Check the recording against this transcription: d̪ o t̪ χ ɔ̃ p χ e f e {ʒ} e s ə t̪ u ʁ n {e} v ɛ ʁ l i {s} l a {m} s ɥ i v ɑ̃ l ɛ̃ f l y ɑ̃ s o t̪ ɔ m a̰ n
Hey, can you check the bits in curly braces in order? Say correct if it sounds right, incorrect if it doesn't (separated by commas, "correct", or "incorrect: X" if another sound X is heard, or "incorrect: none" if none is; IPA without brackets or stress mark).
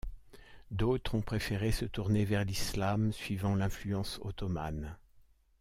incorrect: ʁ, correct, correct, correct